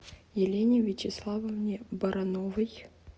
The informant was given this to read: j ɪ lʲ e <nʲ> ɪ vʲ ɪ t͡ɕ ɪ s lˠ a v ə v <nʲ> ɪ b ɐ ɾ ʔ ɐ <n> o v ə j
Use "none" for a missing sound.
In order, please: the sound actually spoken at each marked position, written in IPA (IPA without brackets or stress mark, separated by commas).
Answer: nʲ, nʲ, n